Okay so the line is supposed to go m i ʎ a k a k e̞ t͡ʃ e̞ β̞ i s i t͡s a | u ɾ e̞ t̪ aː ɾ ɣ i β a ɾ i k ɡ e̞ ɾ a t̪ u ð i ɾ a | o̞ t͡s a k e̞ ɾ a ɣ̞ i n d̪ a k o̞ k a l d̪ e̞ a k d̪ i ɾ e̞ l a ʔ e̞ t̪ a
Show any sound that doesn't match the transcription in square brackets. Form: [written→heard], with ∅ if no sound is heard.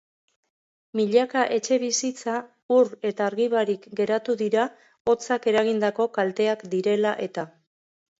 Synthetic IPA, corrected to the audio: m i ʎ a k a [k→ʔ] e̞ t͡ʃ e̞ β̞ i s i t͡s a | u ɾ e̞ t̪ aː ɾ ɣ i β a ɾ i k ɡ e̞ ɾ a t̪ u ð i ɾ a | o̞ t͡s a k e̞ ɾ a ɣ̞ i n d̪ a k o̞ k a l [d̪→t̪] e̞ a k d̪ i ɾ e̞ l a ʔ e̞ t̪ a